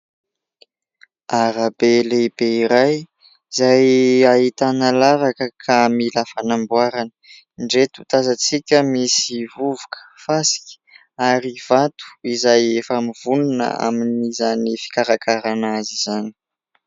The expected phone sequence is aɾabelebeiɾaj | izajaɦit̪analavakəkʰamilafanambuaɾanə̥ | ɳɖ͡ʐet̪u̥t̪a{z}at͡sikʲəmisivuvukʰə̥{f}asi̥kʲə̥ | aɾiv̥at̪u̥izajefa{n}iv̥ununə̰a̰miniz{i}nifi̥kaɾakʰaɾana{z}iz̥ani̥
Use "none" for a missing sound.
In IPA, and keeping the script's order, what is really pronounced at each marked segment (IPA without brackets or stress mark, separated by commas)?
z, f, m, a, z